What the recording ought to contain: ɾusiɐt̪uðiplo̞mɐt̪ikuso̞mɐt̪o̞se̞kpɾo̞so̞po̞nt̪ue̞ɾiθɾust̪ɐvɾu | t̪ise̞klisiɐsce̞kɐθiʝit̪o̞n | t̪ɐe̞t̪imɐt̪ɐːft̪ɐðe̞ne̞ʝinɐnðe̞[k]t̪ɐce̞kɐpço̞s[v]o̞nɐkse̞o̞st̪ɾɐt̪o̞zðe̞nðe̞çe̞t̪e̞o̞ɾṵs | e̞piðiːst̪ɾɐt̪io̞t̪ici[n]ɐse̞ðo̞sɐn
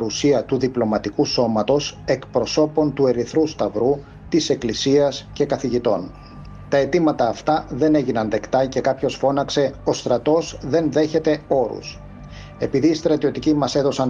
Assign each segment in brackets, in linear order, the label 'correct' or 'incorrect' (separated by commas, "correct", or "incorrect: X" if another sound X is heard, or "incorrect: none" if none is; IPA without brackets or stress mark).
correct, incorrect: f, incorrect: m